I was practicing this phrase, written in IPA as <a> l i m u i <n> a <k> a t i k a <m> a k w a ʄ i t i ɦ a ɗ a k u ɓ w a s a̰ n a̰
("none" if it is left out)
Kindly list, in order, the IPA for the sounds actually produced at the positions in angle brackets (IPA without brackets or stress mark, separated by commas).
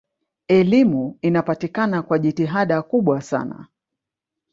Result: ɛ, n, p, n